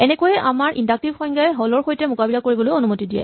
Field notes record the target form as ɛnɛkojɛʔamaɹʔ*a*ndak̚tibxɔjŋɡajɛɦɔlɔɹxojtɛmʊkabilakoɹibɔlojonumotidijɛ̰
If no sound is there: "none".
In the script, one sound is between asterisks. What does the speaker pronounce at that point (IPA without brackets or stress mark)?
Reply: i